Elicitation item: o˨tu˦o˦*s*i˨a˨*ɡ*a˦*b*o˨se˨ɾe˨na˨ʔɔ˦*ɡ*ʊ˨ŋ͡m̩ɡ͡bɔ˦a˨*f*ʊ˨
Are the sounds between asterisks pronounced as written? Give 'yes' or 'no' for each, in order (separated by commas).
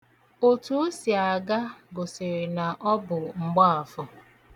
yes, yes, no, no, yes